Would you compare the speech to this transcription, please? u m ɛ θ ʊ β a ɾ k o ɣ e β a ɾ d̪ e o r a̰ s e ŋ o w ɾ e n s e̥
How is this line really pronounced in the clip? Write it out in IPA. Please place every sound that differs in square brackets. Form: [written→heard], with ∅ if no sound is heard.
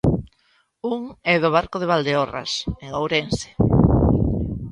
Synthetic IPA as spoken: u [m→ŋ] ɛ [θ→ð] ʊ β a ɾ k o [ɣ→ð] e β a [ɾ→l] d̪ e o r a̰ s e ŋ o w ɾ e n s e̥